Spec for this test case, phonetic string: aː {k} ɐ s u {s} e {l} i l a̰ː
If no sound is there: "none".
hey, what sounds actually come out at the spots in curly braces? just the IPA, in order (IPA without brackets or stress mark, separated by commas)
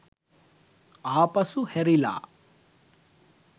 p, h, ɾ